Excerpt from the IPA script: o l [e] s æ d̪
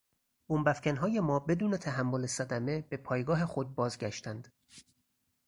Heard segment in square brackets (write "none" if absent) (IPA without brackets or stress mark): e